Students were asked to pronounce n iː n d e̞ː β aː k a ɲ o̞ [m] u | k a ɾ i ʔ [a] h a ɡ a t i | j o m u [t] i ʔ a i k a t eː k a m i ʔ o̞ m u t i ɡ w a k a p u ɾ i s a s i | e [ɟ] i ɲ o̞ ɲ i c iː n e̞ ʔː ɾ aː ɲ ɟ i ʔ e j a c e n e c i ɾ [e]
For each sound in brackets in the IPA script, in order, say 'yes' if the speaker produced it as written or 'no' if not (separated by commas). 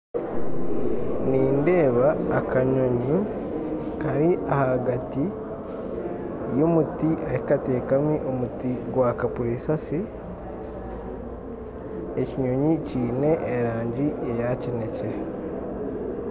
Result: no, yes, yes, no, yes